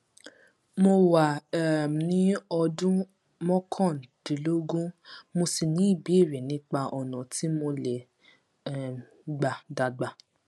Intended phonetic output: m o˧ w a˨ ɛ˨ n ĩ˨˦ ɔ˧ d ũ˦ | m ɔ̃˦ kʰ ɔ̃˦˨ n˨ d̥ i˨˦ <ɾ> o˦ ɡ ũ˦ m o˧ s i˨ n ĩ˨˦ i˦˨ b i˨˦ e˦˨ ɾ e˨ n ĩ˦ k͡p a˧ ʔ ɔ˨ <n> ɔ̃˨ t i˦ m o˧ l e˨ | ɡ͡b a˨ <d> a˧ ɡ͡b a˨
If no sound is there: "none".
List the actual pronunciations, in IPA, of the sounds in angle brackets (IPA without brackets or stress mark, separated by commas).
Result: l, n, d